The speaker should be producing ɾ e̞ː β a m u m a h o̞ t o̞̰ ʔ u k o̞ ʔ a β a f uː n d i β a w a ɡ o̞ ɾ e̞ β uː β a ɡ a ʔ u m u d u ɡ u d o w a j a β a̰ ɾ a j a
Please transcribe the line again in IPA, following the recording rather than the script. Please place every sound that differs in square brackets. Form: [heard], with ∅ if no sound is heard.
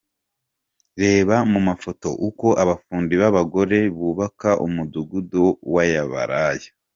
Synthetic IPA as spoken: ɾ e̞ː β a m u m a [f] o̞ t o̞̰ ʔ u k o̞ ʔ a β a f uː n d i β a [β] a ɡ o̞ ɾ e̞ β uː β a [k] a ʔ u m u d u ɡ u d o w a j a β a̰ ɾ a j a